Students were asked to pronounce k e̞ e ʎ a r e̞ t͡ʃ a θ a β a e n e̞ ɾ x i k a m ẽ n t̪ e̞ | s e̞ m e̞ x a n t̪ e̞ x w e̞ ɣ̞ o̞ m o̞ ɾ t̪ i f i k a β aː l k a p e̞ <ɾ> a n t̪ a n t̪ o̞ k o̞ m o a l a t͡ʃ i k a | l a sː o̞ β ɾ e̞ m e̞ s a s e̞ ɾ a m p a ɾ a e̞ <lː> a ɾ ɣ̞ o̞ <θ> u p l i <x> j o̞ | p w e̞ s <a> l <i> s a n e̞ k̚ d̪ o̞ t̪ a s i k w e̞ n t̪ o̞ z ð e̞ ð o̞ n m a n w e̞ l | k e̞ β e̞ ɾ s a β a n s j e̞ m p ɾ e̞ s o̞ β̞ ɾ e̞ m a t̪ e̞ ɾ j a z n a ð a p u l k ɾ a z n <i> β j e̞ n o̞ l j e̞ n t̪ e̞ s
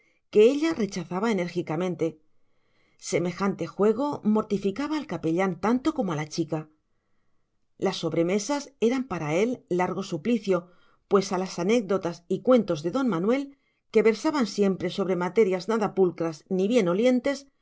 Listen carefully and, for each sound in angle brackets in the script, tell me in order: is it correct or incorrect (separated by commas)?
incorrect, correct, incorrect, incorrect, correct, incorrect, correct